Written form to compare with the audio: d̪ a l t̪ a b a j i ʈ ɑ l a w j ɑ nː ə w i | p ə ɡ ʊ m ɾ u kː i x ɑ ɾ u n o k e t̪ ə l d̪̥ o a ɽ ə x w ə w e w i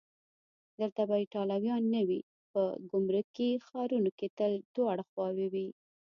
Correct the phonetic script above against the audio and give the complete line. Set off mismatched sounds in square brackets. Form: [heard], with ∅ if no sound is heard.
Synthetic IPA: d̪ [ə] l t̪ a b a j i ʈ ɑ l a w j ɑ nː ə w i | p ə ɡ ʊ m ɾ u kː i x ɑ ɾ u n o k e t̪ ə l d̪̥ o a ɽ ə x w [ɑ] w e w i